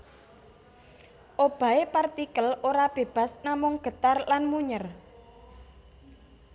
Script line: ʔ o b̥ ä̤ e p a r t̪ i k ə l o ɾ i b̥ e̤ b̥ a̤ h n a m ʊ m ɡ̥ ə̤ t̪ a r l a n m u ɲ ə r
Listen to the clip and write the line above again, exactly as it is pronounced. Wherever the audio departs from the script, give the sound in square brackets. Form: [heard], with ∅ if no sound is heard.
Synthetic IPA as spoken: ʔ o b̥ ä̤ e p a r t̪ i k ə l o ɾ [a] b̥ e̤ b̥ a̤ [s] n a m ʊ [ŋ] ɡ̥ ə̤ t̪ a r l a n m u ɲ ə r